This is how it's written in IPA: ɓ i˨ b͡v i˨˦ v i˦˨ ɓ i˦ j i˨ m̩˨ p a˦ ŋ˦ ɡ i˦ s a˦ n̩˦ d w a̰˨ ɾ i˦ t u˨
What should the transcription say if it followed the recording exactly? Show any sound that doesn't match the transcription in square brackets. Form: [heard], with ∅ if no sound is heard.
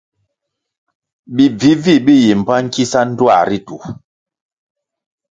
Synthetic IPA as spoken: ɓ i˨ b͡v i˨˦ v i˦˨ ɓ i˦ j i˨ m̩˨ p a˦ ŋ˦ [k] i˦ s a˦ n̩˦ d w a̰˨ ɾ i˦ t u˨